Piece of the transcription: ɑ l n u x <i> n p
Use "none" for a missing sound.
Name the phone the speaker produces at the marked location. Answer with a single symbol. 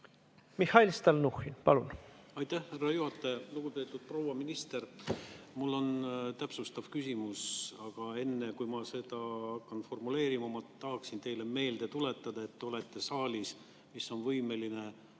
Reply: i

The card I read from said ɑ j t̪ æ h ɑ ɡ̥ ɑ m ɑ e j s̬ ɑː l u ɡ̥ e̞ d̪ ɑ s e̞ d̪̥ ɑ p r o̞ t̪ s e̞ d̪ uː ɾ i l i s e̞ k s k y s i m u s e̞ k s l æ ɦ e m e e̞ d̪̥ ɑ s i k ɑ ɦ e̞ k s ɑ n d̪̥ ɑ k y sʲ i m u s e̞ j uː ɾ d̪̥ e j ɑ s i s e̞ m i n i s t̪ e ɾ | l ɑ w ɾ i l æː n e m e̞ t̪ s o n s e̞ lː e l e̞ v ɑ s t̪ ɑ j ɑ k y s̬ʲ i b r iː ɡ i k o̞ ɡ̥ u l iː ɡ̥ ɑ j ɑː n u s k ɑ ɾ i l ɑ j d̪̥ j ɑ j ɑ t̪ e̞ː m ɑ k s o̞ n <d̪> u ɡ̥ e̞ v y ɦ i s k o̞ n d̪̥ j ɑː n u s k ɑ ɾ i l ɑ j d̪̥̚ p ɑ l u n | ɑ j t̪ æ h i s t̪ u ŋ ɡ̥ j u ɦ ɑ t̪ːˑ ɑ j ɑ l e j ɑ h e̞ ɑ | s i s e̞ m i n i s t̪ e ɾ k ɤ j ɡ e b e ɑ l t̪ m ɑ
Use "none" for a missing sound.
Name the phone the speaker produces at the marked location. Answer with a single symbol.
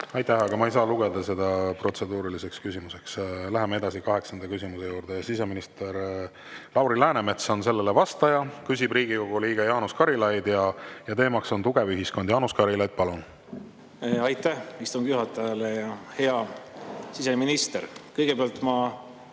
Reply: t̪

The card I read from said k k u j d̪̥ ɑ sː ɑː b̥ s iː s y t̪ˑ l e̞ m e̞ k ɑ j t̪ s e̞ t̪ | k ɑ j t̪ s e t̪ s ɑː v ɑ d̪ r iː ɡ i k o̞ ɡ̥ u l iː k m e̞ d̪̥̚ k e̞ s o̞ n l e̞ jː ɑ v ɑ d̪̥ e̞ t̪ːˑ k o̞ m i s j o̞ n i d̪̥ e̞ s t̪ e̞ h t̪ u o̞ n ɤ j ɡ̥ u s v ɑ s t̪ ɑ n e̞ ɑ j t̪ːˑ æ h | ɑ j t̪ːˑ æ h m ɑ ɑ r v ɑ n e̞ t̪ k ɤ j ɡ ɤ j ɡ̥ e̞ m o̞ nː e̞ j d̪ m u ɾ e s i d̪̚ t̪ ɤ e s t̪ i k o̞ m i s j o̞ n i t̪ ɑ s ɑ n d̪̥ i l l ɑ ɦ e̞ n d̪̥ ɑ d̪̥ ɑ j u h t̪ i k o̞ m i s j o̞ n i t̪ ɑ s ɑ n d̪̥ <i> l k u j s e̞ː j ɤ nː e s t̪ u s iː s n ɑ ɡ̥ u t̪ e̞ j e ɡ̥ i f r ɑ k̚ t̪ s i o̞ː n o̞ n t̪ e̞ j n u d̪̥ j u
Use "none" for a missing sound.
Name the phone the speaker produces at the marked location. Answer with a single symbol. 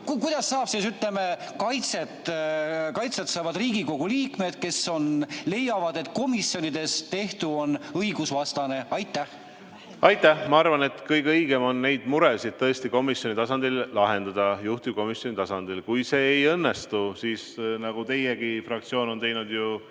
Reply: i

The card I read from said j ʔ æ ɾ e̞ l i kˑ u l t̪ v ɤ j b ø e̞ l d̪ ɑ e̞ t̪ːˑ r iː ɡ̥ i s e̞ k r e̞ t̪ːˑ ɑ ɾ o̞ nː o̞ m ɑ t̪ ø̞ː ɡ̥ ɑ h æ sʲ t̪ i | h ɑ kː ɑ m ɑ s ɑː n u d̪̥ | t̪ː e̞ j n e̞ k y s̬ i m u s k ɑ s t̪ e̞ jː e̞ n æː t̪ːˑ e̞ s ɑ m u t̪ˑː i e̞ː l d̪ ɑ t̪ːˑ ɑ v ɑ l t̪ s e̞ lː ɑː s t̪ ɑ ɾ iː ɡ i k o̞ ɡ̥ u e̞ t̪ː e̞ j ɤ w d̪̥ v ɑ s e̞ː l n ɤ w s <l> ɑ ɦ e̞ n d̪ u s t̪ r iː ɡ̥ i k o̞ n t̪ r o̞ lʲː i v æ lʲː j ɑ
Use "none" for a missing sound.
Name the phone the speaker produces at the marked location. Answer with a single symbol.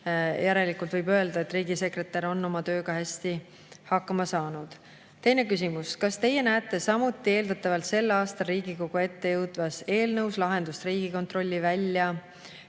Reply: l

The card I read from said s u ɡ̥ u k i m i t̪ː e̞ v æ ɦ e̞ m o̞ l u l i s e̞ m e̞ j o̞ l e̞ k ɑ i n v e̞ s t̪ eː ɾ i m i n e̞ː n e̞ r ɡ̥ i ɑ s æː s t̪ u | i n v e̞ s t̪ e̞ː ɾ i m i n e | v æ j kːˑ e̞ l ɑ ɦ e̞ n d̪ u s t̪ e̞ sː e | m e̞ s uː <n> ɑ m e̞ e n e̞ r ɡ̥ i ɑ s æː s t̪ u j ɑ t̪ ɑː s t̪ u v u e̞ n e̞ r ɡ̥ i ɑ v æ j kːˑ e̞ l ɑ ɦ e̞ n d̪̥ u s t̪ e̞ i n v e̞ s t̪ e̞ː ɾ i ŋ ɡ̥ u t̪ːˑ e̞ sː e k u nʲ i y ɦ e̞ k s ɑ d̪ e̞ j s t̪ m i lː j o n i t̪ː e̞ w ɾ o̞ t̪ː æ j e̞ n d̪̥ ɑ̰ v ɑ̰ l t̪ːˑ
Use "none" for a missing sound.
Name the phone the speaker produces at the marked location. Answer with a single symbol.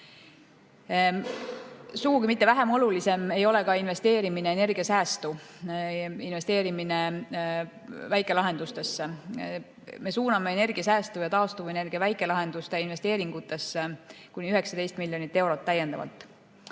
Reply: n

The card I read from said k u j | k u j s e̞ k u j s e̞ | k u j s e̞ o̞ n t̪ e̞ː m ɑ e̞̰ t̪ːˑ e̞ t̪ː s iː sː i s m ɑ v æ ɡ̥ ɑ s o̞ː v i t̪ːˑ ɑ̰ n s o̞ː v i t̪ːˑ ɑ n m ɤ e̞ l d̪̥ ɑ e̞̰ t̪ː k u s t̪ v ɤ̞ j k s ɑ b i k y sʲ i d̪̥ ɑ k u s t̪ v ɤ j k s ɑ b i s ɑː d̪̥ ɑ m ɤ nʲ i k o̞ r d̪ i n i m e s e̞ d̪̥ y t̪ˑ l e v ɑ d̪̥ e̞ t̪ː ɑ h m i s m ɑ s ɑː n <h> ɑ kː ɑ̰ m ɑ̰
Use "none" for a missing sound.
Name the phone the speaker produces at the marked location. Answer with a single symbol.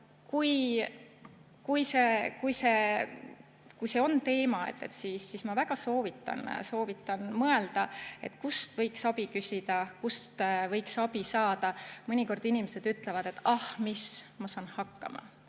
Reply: h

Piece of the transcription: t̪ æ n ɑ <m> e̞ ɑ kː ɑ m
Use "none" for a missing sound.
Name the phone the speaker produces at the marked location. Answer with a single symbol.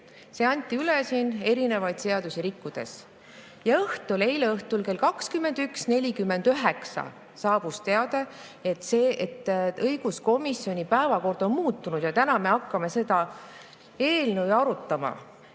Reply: m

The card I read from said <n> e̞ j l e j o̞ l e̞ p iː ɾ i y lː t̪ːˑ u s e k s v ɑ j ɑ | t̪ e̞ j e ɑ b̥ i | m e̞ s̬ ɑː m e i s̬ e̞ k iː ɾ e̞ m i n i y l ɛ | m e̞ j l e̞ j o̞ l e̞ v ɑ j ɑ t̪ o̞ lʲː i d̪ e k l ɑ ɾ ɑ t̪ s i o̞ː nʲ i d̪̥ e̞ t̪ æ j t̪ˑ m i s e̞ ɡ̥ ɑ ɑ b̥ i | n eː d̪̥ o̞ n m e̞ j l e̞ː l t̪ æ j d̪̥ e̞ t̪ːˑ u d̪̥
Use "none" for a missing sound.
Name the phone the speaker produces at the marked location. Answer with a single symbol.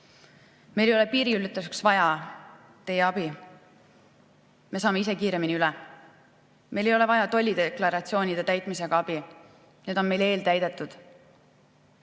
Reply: m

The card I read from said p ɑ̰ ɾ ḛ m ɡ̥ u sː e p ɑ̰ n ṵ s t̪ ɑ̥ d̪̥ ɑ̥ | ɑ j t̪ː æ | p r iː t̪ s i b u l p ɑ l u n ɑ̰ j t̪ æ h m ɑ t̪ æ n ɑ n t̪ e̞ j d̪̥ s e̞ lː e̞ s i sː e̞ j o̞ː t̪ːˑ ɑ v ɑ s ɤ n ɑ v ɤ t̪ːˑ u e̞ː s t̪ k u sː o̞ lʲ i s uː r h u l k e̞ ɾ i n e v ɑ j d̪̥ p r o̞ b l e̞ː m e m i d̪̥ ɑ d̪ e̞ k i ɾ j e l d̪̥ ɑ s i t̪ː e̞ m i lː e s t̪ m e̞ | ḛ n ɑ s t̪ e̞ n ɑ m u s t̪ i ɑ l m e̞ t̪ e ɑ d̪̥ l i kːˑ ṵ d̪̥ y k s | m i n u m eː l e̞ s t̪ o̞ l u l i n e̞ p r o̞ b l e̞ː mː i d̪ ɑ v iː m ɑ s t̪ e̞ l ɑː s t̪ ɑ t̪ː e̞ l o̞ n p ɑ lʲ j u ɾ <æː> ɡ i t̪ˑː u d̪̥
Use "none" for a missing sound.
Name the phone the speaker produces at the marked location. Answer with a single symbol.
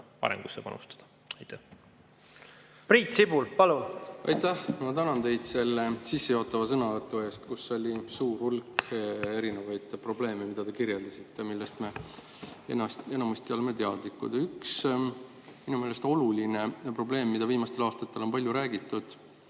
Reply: æː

